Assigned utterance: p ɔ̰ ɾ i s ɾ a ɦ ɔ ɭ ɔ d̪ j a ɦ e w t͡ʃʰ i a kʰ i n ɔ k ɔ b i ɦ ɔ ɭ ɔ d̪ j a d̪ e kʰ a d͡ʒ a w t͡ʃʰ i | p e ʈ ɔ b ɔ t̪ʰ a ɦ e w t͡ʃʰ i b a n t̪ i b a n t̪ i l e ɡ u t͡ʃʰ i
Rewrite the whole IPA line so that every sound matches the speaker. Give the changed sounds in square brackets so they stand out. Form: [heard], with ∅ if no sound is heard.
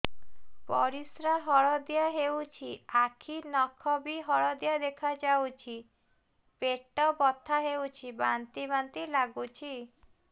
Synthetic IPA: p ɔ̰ ɾ i s ɾ a ɦ ɔ ɭ ɔ d̪ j a ɦ e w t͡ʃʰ i a kʰ i n ɔ [kʰ] ɔ b i ɦ ɔ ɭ ɔ d̪ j a d̪ e kʰ a d͡ʒ a w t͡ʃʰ i | p e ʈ ɔ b ɔ t̪ʰ a ɦ e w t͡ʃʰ i b a n t̪ i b a n t̪ i l [a] ɡ u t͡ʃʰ i